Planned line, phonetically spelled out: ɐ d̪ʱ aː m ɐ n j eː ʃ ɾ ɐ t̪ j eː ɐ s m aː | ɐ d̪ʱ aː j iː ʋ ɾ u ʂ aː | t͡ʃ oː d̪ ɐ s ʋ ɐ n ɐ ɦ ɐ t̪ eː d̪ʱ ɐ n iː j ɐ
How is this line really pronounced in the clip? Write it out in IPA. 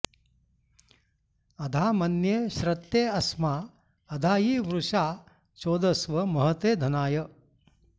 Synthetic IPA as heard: ɐ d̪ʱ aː m ɐ n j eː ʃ ɾ ɐ t̪ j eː ɐ s m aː | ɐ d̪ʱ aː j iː ʋ ɾ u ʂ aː | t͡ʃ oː d̪ ɐ s ʋ ɐ m ɐ ɦ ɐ t̪ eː d̪ʱ ɐ n aː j ɐ